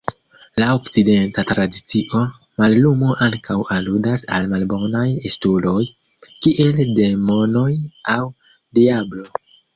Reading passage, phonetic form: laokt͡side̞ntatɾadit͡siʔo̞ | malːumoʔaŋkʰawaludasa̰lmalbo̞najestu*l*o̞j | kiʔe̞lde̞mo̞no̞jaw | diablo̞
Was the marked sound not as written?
no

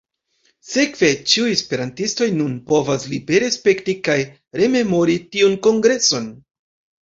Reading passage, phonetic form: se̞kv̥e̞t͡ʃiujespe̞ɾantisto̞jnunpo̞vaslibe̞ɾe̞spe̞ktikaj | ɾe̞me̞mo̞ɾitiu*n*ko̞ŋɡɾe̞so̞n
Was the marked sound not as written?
no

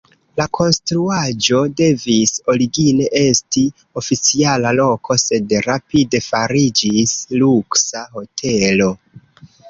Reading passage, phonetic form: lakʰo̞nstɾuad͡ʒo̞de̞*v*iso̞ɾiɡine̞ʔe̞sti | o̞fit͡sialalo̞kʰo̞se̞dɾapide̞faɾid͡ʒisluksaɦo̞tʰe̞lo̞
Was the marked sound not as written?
no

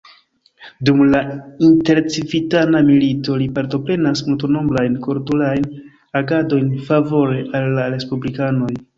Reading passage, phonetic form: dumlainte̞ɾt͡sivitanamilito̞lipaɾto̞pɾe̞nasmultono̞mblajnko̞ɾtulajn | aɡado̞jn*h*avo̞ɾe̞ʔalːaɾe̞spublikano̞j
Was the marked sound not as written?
yes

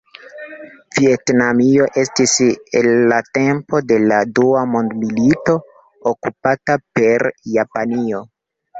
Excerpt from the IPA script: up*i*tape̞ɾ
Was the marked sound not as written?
yes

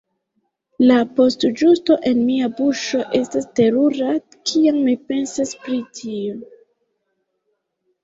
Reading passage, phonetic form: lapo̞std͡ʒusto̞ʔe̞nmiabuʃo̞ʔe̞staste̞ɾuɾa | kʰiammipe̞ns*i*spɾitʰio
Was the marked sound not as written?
yes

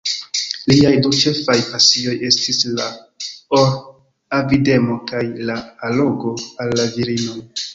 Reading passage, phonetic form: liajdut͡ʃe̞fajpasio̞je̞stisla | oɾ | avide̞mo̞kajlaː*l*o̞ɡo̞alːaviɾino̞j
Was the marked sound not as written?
no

